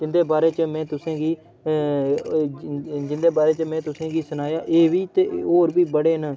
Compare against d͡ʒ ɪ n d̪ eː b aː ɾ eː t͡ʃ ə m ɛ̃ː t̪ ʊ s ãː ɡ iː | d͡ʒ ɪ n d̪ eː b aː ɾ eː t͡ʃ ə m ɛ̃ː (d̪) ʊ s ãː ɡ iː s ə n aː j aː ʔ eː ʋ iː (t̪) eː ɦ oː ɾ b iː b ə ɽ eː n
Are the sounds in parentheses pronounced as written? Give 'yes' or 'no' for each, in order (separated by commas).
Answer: no, yes